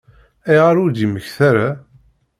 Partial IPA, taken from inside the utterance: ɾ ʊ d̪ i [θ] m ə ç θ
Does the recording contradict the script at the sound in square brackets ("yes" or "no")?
yes